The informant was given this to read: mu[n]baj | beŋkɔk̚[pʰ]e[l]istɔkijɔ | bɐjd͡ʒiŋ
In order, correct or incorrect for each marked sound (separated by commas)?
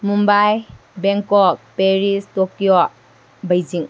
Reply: incorrect, incorrect, incorrect